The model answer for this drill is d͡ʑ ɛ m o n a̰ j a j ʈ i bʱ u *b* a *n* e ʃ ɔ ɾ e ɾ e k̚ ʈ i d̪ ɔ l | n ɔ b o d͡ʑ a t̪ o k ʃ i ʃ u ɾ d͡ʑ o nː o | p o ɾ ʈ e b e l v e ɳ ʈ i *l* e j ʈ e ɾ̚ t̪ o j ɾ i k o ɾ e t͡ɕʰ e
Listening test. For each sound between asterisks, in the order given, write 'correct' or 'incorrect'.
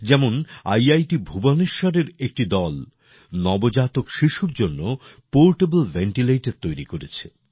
correct, correct, correct

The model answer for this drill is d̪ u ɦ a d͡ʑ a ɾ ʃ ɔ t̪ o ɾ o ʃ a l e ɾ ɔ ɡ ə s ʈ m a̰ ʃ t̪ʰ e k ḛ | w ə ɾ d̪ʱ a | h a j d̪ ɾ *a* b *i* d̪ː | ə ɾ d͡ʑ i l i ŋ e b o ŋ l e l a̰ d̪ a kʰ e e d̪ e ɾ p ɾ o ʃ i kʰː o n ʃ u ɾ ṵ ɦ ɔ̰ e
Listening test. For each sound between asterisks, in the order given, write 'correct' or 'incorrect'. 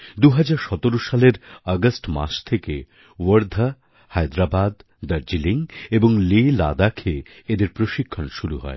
correct, incorrect

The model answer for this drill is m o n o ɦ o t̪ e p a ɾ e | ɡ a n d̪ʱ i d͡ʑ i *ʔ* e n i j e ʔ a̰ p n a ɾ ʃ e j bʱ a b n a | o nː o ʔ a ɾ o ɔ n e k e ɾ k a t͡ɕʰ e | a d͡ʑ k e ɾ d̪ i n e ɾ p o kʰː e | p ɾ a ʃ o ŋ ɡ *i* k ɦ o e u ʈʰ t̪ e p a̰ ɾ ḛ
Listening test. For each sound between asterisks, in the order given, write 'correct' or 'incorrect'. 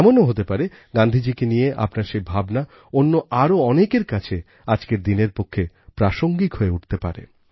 incorrect, correct

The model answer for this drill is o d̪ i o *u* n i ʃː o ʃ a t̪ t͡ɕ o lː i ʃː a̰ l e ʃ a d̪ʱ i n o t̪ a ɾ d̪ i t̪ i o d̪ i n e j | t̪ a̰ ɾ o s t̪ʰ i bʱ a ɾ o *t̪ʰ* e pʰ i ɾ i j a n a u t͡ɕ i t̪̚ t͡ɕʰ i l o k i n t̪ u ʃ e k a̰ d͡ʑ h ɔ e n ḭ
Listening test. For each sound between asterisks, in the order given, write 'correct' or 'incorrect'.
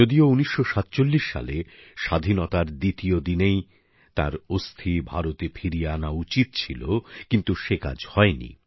correct, incorrect

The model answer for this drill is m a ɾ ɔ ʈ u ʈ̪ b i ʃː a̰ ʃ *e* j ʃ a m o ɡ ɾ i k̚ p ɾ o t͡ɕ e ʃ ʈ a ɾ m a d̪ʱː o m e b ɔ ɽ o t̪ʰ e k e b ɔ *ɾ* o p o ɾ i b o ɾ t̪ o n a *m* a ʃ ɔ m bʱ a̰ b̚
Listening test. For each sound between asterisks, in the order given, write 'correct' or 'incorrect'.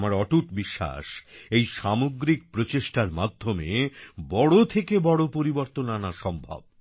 correct, incorrect, incorrect

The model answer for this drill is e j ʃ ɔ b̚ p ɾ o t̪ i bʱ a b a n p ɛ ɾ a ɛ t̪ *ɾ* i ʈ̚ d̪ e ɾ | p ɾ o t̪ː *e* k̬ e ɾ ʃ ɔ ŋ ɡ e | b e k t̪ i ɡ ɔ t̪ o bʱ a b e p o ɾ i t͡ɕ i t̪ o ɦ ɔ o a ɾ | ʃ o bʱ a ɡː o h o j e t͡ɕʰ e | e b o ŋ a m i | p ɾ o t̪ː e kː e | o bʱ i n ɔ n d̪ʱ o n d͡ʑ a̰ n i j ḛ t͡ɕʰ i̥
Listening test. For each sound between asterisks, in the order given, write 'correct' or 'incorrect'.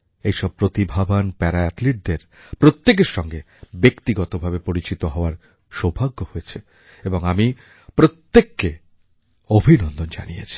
incorrect, correct

